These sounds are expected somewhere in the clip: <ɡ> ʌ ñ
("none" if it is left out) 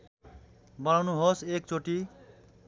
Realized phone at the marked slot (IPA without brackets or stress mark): b